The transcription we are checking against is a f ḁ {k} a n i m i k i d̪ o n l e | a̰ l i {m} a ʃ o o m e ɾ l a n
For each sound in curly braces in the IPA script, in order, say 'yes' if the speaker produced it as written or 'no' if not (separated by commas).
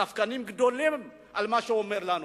yes, yes